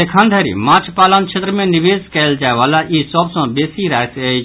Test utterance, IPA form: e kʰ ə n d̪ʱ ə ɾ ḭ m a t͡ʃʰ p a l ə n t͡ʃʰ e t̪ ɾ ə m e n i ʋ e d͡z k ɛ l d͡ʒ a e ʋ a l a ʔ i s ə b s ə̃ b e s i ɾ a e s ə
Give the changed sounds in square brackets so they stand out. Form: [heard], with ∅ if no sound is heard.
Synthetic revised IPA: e kʰ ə n d̪ʱ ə ɾ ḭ m a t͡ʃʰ p a l ə n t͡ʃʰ e t̪ ɾ ə m e n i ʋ e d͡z k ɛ l d͡ʒ a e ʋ a l a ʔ i s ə b s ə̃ b e s i ɾ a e s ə